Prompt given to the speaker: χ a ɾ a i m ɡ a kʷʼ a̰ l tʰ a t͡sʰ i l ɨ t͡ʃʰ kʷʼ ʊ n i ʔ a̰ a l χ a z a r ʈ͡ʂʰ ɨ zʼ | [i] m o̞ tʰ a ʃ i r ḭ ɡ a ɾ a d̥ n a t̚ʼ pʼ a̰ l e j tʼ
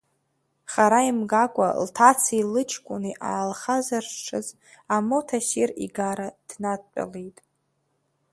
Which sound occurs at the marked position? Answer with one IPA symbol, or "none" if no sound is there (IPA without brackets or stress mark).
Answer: a